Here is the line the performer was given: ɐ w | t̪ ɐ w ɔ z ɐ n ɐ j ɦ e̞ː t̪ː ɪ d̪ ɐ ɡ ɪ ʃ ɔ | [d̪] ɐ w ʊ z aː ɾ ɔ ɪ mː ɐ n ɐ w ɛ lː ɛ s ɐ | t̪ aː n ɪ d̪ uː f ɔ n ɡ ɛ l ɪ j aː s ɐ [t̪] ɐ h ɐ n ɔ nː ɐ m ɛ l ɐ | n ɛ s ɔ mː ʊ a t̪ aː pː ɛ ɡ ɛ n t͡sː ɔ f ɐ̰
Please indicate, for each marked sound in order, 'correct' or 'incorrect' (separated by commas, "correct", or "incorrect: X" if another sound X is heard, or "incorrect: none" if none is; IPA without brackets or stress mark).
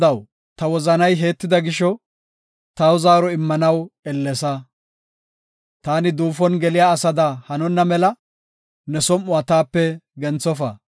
incorrect: t̪, incorrect: d̪